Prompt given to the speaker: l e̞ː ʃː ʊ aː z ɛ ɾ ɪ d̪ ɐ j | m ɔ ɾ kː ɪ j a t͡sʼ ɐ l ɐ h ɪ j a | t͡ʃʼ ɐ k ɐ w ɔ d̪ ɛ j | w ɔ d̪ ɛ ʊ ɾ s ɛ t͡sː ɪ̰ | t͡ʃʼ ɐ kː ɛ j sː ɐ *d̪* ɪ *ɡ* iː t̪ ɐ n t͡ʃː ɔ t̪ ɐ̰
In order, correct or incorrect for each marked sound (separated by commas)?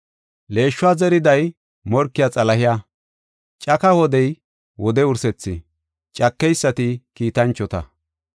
incorrect, incorrect